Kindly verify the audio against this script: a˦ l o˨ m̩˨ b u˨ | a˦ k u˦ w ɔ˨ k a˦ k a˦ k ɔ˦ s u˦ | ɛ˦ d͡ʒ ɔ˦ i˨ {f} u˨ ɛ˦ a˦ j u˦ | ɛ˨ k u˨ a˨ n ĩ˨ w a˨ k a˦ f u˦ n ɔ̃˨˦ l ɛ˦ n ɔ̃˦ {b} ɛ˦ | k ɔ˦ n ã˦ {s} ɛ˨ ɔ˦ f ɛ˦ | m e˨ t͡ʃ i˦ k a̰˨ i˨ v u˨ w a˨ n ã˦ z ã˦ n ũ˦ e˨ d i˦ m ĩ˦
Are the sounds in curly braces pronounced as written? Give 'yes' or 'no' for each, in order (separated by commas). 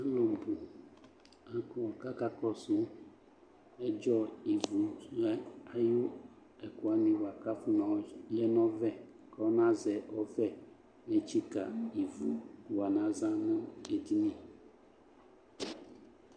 no, no, no